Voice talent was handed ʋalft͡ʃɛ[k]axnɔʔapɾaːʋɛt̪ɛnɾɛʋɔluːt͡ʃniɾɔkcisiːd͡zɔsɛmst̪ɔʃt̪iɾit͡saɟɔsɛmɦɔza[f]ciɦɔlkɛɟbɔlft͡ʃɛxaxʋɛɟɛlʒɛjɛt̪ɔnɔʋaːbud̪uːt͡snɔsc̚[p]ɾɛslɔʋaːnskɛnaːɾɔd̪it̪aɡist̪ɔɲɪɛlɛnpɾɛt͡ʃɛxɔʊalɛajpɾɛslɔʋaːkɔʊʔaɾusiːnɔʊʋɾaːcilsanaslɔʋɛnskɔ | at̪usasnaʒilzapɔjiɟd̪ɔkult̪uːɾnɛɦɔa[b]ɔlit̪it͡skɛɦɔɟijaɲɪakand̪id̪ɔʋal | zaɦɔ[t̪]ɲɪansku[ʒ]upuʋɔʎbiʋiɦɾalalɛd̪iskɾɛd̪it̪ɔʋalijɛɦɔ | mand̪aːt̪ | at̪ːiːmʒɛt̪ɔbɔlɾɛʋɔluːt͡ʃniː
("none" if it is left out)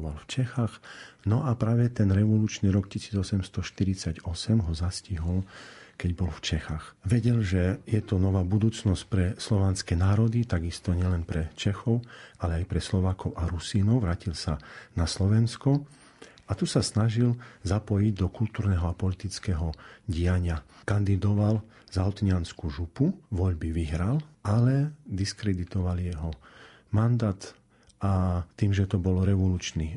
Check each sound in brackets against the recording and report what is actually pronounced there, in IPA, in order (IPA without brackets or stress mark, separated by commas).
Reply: x, s, p, p, t̪, ʒ